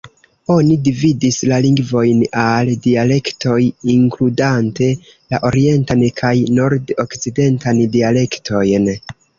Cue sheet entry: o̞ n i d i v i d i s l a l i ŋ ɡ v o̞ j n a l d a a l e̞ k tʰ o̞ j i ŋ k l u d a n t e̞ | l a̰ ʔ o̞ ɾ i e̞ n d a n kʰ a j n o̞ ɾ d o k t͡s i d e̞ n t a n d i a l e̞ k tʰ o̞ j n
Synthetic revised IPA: o̞ n i d i v i d i s l a l i ŋ ɡ v o̞ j n a l d i a l e̞ k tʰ o̞ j i ŋ k l u d a n t e̞ | l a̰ ʔ o̞ ɾ i e̞ n t a n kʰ a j n o̞ ɾ d o k t͡s i d e̞ n t a n d i a l e̞ k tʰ o̞ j n